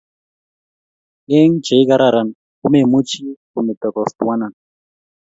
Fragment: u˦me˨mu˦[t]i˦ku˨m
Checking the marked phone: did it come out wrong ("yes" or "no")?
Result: yes